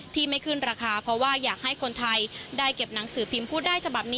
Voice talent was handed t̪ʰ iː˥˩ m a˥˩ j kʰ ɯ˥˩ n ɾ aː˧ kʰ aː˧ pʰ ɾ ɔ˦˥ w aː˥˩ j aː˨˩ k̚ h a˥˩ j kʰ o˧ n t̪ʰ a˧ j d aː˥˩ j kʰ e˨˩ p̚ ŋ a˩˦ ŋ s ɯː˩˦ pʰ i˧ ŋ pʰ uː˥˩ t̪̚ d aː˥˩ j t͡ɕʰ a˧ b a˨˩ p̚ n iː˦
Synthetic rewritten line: t̪ʰ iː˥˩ m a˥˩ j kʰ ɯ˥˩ n ɾ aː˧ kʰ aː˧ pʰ ɾ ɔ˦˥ w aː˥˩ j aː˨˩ k̚ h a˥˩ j kʰ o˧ n t̪ʰ a˧ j d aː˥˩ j k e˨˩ p̚ n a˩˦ ŋ s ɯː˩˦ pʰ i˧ m pʰ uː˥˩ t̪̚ d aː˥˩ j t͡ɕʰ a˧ b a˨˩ p̚ n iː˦

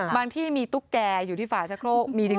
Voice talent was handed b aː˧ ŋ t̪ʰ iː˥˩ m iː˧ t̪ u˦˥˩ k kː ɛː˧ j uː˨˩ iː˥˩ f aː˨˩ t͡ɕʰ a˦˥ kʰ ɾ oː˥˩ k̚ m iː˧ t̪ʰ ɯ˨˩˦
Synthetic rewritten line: b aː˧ ŋ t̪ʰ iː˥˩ m iː˧ t̪ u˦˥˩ k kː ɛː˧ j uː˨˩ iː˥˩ f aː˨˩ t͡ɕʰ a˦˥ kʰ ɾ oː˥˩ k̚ m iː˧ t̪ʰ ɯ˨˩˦

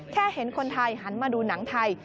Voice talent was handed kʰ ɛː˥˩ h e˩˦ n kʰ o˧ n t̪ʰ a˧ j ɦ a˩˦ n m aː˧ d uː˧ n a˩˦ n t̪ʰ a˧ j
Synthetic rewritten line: kʰ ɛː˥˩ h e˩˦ n kʰ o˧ n t̪ʰ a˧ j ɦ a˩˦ n m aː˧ d uː˧ n a˩˦ ŋ t̪ʰ a˧ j

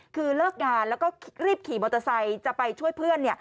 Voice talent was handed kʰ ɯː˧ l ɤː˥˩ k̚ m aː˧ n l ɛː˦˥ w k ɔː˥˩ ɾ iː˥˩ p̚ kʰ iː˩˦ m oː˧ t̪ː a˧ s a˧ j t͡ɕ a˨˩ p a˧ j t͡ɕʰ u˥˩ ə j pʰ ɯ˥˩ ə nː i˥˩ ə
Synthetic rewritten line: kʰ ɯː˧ l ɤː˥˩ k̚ ŋ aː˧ n l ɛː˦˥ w k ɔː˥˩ ɾ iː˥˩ p̚ kʰ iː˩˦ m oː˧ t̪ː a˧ s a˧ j t͡ɕ a˨˩ p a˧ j t͡ɕʰ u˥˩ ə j pʰ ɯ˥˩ ə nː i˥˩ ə

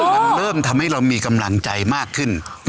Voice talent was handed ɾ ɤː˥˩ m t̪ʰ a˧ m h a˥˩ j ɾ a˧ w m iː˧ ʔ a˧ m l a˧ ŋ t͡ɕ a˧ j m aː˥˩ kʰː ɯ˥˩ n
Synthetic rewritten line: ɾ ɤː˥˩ m t̪ʰ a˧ m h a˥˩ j ɾ a˧ w m iː˧ k a˧ m l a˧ ŋ t͡ɕ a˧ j m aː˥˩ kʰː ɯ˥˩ n

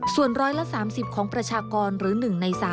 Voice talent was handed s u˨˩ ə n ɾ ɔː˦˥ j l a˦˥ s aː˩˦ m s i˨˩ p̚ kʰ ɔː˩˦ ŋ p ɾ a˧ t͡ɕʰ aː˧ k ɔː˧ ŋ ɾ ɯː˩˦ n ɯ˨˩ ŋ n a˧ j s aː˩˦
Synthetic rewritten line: s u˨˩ ə n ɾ ɔː˦˥ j l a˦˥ s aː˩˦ m s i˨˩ p̚ kʰ ɔː˩˦ ŋ p ɾ a˧ t͡ɕʰ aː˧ k ɔː˧ n ɾ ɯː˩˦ n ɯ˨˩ ŋ n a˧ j s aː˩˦

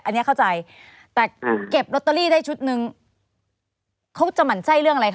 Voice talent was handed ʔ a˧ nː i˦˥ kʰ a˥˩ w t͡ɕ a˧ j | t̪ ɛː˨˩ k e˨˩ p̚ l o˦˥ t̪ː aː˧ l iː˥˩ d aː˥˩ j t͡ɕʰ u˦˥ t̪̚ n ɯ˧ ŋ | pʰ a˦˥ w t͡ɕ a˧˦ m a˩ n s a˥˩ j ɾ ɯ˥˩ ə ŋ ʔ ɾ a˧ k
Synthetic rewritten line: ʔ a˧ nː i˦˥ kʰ a˥˩ w t͡ɕ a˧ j | t̪ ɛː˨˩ k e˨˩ p̚ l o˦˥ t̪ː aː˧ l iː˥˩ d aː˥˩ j t͡ɕʰ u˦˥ t̪̚ n ɯ˧ ŋ | kʰ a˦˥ w t͡ɕ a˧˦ m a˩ n s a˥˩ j ɾ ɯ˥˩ ə ŋ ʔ ɾ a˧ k

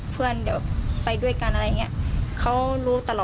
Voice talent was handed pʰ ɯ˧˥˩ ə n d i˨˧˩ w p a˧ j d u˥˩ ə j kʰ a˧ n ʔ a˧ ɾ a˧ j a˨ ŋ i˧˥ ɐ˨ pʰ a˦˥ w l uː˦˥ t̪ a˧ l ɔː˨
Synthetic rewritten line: pʰ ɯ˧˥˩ ə n d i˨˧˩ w p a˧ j d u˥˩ ə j k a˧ n ʔ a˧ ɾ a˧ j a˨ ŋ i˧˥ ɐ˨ kʰ a˦˥ w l uː˦˥ t̪ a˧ l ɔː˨

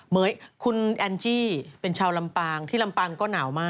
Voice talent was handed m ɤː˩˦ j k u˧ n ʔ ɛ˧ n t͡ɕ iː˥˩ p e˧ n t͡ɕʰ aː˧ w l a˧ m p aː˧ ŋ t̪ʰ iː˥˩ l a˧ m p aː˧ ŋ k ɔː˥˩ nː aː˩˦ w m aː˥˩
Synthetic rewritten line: m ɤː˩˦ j kʰ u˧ n ʔ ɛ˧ n t͡ɕ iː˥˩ p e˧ n t͡ɕʰ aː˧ w l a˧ m p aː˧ ŋ t̪ʰ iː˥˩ l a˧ m p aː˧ ŋ k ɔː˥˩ n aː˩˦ w m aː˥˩

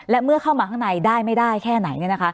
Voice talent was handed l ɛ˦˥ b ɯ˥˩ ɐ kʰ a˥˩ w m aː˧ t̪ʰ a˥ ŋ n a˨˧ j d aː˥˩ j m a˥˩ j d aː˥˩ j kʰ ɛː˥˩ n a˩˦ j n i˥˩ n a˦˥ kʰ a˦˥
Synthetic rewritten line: l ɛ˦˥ m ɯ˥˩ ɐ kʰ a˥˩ w m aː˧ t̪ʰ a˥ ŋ n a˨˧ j d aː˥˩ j m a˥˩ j d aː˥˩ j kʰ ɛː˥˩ n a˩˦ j n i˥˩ n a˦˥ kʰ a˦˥

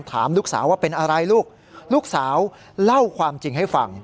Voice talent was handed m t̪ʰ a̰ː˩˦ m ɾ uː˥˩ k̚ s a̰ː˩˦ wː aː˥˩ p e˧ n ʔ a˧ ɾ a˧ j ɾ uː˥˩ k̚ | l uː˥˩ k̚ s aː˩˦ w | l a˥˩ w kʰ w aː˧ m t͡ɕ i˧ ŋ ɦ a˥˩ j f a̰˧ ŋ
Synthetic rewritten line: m t̪ʰ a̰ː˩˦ m l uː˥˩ k̚ s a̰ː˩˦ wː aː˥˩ p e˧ n ʔ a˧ ɾ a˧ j l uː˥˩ k̚ | l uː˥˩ k̚ s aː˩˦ w | l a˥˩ w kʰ w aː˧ m t͡ɕ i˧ ŋ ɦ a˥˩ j f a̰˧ ŋ

